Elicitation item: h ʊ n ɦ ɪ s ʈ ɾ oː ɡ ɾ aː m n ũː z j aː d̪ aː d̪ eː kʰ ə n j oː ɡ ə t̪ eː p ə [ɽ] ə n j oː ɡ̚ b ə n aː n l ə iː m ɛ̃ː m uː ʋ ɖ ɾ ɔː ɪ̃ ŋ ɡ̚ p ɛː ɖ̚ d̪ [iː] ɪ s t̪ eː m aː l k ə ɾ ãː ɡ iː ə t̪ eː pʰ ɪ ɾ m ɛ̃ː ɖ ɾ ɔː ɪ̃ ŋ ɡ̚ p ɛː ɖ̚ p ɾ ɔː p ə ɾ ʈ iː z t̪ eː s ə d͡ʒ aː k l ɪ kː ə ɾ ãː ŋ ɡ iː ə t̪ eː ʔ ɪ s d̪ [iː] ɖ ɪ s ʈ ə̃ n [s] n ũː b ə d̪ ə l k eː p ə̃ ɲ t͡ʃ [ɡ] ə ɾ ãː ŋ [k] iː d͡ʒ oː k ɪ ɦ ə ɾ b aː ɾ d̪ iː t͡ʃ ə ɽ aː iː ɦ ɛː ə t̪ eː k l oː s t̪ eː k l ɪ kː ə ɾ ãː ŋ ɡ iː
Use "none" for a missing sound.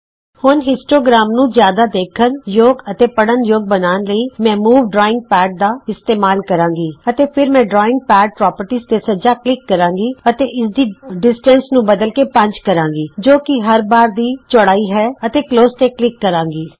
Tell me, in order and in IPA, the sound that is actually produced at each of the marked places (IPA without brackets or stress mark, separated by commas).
ɽ, aː, iː, s, k, ɡ